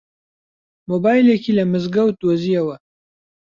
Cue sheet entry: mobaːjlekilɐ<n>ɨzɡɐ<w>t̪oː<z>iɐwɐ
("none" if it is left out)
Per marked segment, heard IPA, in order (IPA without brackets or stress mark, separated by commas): m, w, z